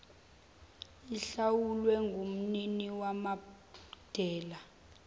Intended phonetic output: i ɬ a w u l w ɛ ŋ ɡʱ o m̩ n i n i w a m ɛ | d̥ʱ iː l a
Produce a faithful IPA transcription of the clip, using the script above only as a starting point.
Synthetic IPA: i ɬ a w u l w ɛ ŋ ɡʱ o m̩ n i n i w a m a | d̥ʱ ɛː l a